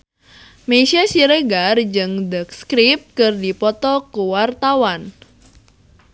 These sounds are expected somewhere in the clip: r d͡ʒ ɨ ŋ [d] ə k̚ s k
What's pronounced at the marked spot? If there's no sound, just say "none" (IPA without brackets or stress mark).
d